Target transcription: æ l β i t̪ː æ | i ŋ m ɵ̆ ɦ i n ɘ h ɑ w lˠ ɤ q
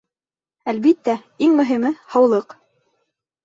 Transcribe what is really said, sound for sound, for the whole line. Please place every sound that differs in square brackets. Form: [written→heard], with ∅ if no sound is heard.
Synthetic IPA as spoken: æ l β i t̪ː æ | i ŋ m ɵ̆ ɦ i [n→m] ɘ h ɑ w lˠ ɤ q